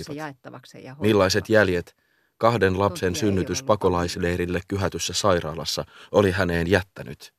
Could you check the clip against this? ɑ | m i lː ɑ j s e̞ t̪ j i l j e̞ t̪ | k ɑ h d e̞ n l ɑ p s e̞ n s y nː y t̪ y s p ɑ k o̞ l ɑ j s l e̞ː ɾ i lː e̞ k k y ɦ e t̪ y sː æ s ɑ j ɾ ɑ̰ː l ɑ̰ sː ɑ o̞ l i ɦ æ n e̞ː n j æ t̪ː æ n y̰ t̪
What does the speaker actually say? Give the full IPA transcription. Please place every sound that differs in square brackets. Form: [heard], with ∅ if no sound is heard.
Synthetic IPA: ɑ | m i lː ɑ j s e̞ t̪ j [æ] l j e̞ t̪ | k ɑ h d e̞ n l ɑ p s e̞ n s y nː y t̪ y s p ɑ k o̞ l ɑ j s l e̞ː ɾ i lː e̞ k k y ɦ [æ] t̪ y sː æ s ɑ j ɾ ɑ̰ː l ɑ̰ sː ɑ o̞ l i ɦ æ n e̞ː n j æ t̪ː æ n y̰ t̪